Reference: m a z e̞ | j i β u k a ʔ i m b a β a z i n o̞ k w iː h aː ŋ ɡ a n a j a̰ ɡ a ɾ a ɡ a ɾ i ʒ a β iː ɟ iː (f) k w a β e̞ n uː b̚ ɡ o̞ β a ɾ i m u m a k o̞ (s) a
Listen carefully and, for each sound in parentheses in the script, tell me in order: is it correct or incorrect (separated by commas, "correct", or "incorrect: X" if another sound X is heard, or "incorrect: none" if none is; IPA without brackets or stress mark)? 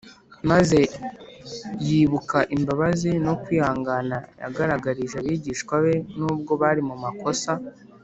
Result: incorrect: ʃ, correct